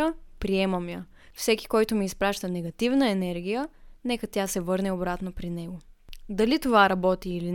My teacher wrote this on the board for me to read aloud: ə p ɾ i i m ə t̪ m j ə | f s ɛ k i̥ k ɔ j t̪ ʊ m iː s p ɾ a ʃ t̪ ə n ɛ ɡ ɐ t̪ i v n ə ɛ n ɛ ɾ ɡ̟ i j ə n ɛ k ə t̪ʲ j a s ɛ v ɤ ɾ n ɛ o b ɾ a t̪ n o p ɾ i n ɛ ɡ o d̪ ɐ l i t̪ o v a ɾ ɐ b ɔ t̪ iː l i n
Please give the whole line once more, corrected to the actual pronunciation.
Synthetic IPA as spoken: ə p ɾ i ɛ m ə m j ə | f s ɛ k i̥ k ɔ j t̪ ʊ m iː s p ɾ a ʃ t̪ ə n ɛ ɡ ɐ t̪ i v n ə ɛ n ɛ ɾ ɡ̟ i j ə n ɛ k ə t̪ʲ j a s ɛ v ɤ ɾ n ɛ o b ɾ a t̪ n o p ɾ i n ɛ ɡ o d̪ ɐ l i t̪ o v a ɾ ɐ b ɔ t̪ iː l i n